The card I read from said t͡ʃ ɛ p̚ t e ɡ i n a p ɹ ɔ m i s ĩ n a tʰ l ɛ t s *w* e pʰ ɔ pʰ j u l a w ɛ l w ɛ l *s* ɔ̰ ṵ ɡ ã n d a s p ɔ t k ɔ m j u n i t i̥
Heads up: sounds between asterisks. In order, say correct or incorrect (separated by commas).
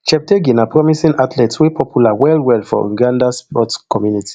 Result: correct, incorrect